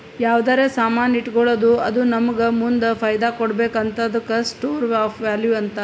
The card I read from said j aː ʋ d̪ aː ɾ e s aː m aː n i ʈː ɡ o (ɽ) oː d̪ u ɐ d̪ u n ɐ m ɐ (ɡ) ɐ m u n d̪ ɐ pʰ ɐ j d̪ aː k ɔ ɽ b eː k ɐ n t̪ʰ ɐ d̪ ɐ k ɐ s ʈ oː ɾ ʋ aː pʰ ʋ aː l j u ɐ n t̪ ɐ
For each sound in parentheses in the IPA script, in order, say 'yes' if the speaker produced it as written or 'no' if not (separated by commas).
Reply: no, yes